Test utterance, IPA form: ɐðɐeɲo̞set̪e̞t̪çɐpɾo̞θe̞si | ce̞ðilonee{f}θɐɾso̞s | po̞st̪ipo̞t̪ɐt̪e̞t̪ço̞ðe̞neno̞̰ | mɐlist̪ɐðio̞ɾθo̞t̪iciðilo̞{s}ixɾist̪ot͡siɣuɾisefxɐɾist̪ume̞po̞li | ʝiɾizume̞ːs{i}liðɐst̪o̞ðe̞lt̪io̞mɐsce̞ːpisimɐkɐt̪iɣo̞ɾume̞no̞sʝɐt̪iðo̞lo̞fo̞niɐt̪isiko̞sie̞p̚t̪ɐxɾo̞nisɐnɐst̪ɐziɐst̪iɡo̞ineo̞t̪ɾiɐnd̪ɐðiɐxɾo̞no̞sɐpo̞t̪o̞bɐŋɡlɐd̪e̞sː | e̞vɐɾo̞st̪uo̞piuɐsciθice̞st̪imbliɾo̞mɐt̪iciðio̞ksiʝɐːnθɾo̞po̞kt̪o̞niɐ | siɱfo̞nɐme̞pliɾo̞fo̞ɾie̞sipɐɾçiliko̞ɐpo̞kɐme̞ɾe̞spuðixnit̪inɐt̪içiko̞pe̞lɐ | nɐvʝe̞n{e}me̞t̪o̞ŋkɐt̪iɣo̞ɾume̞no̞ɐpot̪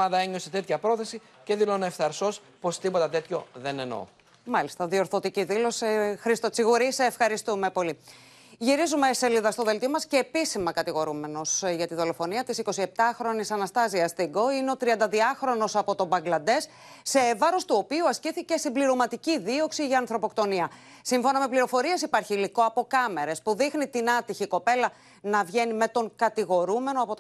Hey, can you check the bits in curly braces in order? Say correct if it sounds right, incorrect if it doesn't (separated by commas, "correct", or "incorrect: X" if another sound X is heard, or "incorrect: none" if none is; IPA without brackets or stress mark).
correct, correct, incorrect: e, incorrect: i